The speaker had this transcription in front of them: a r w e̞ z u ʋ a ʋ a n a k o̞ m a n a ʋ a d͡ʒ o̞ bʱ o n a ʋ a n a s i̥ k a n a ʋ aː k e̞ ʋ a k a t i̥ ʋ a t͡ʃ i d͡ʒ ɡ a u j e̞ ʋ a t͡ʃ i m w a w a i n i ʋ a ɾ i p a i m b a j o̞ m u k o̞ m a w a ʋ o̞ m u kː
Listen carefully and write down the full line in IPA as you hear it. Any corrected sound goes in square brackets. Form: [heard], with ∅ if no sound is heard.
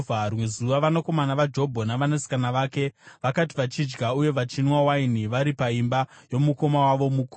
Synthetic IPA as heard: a r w e̞ z u ʋ a ʋ a n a k o̞ m a n a ʋ a d͡ʒ o̞ bʱ o n a ʋ a n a s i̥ k a n a ʋ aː k e̞ ʋ a k a t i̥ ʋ a t͡ʃ i d͡ʒ ɡ a u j e̞ ʋ a t͡ʃ i [n] w a w a i n i ʋ a ɾ i p a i m b a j o̞ m u k o̞ m a w a ʋ o̞ m u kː

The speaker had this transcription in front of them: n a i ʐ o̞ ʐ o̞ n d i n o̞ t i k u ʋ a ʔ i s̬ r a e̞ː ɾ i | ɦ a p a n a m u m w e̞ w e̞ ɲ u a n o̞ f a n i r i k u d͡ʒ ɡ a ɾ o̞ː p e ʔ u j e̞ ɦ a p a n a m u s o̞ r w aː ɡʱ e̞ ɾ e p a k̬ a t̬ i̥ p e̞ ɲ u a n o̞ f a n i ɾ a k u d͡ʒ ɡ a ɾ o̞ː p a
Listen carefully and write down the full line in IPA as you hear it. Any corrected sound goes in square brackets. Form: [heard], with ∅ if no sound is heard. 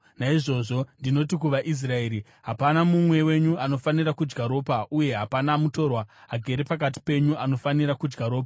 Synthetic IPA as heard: n a i ʐ o̞ ʐ o̞ n d i n o̞ t i k u ʋ a ʔ i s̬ r a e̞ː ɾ i | ɦ a p a n a m u m w e̞ w e̞ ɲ u a n o̞ f a n i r [a] k u d͡ʒ ɡ a ɾ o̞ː p [a] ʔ u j e̞ ɦ a p a n a m u [t] o̞ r w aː ɡʱ e̞ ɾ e p a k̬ a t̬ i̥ p e̞ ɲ u a n o̞ f a n i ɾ a k u d͡ʒ ɡ a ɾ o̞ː p a

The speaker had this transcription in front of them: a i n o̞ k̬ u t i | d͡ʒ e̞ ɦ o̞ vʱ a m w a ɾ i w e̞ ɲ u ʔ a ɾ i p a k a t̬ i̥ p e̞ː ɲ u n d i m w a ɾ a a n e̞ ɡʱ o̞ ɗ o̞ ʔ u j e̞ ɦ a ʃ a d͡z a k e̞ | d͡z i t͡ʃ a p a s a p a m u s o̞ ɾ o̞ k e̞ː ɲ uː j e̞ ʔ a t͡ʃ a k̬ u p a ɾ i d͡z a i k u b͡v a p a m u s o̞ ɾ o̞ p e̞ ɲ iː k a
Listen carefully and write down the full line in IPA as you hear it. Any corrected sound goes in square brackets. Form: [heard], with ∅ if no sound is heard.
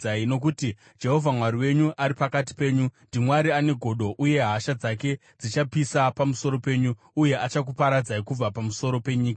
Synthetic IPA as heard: a i n o̞ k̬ u t i | d͡ʒ e̞ ɦ o̞ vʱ a m w a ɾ i w e̞ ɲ u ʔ a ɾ i p a k a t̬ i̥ p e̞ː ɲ u n d i m w a ɾ [i] a n e̞ ɡʱ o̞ ɗ o̞ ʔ u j e̞ ɦ a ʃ a d͡z a k e̞ | d͡z i t͡ʃ a p [i] s a p a m u s o̞ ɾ o̞ [p] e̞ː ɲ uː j e̞ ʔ a t͡ʃ a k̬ u p a ɾ [a] d͡z a i k u b͡v a p a m u s o̞ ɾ o̞ p e̞ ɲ iː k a

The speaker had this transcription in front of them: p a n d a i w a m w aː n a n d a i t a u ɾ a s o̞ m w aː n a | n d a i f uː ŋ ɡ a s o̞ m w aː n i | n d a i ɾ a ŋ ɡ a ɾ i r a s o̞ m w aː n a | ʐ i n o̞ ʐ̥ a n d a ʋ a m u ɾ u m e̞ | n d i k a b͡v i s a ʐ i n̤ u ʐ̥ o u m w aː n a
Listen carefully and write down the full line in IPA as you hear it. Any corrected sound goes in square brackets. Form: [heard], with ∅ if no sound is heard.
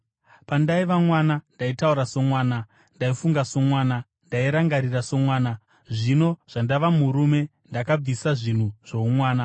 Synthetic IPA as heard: p a n d a i [ʋ] a m w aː n a n d a i t a u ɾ a s o̞ m w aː n a | n d a i f [u] ŋ ɡ a s o̞ m w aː n [a] | n d a i ɾ a ŋ ɡ a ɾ i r a s o̞ m w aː n a | ʐ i n o̞ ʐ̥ a n d a ʋ a m u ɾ u m e̞ | n d [a] k a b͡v i s a ʐ i n̤ u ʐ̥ o u m w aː n a

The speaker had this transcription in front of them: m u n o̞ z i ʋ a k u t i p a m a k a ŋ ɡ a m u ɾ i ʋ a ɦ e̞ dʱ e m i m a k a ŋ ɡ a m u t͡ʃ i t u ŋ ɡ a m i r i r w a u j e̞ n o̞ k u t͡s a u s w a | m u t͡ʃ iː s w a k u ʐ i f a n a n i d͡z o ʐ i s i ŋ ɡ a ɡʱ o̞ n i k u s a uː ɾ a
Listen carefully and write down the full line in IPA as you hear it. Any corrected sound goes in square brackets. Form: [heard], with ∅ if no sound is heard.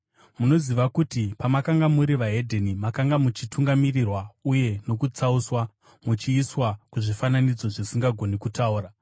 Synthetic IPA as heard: m u n o̞ z i ʋ a k u t i p a m a k a ŋ ɡ a m u ɾ i ʋ a ɦ e̞ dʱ e [n] i m a k a ŋ ɡ a m u t͡ʃ i t u ŋ ɡ a m i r i r w a u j e̞ n o̞ k u t͡s a u s w a | m u t͡ʃ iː s w a k u ʐ i f a n a n i d͡z o ʐ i s i ŋ ɡ a ɡʱ o̞ n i k u [t] a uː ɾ a

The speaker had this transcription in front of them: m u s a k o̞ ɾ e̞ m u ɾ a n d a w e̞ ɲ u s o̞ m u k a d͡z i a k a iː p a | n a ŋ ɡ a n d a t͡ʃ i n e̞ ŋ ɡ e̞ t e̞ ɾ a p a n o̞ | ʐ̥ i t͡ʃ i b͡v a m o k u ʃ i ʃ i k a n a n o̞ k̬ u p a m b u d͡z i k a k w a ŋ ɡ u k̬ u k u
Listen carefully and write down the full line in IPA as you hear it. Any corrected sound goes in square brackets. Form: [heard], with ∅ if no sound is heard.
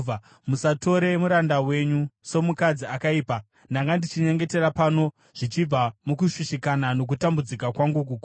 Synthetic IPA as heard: m u s a [t] o̞ ɾ e̞ m u ɾ a n d a w e̞ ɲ u s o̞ m u k a d͡z i a k a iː p a | n a ŋ ɡ a n d [i] t͡ʃ i [ɲ] e̞ ŋ ɡ e̞ t e̞ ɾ a p a n o̞ | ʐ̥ i t͡ʃ i b͡v a m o k u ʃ i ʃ i k a n a n o̞ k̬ u [t] a m b u d͡z i k a k w a ŋ ɡ u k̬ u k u

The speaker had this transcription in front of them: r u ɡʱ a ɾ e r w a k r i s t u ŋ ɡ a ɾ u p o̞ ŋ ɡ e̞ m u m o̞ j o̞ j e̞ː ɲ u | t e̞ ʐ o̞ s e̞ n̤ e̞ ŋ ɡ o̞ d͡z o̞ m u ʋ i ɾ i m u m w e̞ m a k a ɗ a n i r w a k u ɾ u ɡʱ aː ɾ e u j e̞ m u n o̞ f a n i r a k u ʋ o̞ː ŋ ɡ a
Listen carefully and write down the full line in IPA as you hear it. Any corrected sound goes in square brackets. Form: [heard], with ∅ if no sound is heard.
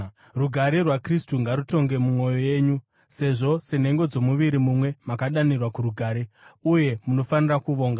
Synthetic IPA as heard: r u ɡʱ a ɾ e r w a k r i s t u ŋ ɡ a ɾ u [t] o̞ ŋ ɡ e̞ m u m o̞ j o̞ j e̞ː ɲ u | [s] e̞ ʐ o̞ s e̞ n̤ e̞ ŋ ɡ o̞ d͡z o̞ m u ʋ i ɾ i m u m w e̞ m a k a ɗ a n i r w a k u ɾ u ɡʱ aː ɾ e u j e̞ m u n o̞ f a n i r a k u ʋ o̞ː ŋ ɡ a

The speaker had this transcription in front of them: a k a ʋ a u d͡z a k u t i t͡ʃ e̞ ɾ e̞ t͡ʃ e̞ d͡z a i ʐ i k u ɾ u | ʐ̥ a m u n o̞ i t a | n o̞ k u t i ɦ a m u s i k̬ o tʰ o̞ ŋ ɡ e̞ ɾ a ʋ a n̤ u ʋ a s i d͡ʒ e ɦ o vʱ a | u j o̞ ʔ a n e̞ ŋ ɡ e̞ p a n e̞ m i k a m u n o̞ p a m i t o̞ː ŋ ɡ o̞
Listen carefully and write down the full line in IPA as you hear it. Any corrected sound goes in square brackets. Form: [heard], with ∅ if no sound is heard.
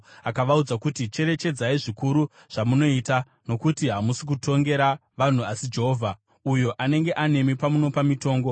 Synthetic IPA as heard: a k a ʋ a u d͡z a k u t i t͡ʃ e̞ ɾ e̞ t͡ʃ e̞ d͡z a i ʐ i k u ɾ u | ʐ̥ a m u n o̞ i t a | n o̞ k u t i ɦ a m u s i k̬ [u] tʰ o̞ ŋ ɡ e̞ ɾ a ʋ a n̤ u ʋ a s i d͡ʒ e ɦ o vʱ a | u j o̞ ʔ a n e̞ ŋ ɡ e̞ [ʔ] a n e̞ m i [p] a m u n o̞ p a m i t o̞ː ŋ ɡ o̞

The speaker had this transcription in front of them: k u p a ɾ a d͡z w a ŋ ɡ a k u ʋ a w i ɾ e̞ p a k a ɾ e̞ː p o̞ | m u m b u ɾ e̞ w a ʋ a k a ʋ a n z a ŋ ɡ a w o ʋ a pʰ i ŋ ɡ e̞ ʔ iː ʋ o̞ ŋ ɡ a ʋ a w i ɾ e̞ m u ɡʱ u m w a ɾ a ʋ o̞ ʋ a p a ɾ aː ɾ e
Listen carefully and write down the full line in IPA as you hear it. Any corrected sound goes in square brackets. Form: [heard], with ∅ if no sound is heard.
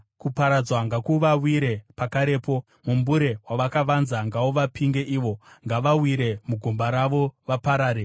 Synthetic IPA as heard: k u p a ɾ a d͡z w a ŋ ɡ a k u ʋ a w i ɾ e̞ p a k a ɾ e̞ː p o̞ | m u m b u ɾ e̞ w a ʋ a k a ʋ a n z a ŋ ɡ a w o ʋ a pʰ i ŋ ɡ e̞ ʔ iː ʋ o̞ ŋ ɡ a ʋ a w i ɾ e̞ m u ɡʱ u m [b] a ɾ a ʋ o̞ ʋ a p a ɾ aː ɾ e

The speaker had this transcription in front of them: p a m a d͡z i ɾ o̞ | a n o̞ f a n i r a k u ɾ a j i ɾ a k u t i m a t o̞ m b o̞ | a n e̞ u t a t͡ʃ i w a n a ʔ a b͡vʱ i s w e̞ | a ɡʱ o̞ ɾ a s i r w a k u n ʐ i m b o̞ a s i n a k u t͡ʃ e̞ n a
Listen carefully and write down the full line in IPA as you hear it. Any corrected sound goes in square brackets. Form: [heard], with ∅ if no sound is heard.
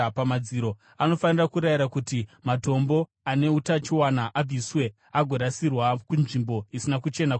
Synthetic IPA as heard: p a m a d͡z i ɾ o̞ | a n o̞ f a n i r a k u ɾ a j i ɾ a k u t i m a t o̞ m b o̞ | a n e̞ u t a t͡ʃ i w a n a ʔ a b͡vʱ i s w e̞ | a ɡʱ o̞ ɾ a s i r w a k u n ʐ i m b o̞ [i] s i n a k u t͡ʃ e̞ n a

